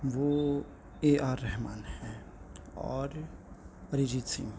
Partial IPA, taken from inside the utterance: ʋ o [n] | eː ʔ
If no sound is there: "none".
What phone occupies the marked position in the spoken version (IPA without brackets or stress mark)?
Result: none